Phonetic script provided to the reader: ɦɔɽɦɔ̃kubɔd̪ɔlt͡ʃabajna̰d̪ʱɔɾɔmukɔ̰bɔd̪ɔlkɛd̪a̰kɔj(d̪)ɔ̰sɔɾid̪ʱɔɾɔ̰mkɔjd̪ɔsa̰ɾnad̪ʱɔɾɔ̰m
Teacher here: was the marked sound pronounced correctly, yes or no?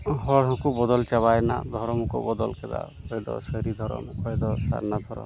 yes